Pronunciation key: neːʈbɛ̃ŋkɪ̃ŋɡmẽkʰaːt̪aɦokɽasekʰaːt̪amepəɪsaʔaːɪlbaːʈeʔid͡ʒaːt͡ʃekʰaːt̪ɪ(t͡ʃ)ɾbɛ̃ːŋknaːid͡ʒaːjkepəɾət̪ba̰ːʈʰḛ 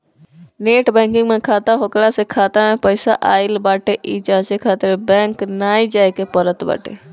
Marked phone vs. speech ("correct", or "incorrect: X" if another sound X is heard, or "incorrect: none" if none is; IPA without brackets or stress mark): incorrect: none